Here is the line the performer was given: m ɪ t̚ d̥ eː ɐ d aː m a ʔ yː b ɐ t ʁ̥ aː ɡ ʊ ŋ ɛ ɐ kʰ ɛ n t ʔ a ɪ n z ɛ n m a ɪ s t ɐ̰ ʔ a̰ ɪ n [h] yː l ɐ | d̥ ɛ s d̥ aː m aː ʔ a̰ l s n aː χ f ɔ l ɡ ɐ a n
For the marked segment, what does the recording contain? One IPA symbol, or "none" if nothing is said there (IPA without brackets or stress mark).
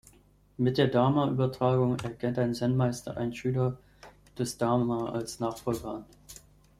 ʃ